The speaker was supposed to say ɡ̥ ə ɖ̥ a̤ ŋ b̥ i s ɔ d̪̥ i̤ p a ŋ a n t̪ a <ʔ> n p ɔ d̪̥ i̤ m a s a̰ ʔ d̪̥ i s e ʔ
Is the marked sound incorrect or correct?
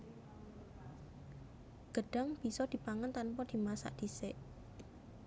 incorrect